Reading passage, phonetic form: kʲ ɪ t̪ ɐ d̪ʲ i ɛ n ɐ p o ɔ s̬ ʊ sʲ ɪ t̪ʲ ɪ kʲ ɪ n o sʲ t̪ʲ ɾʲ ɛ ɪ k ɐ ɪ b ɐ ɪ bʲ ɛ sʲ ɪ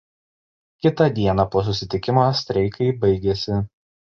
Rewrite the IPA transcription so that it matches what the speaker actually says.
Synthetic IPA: kʲ ɪ t̪ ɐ d̪ʲ i ɛ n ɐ p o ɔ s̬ ʊ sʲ ɪ t̪ʲ ɪ kʲ ɪ m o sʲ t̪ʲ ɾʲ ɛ ɪ k ɐ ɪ b ɐ ɪ ɡʲ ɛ sʲ ɪ